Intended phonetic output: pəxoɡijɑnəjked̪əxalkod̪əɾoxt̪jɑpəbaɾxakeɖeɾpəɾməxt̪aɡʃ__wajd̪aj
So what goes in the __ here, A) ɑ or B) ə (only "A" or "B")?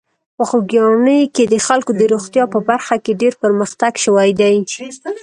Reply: B